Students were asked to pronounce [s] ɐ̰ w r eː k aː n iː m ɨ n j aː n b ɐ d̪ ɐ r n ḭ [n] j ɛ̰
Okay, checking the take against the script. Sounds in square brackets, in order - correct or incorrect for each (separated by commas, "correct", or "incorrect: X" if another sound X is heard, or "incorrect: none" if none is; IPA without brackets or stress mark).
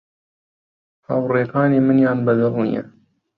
incorrect: h, incorrect: none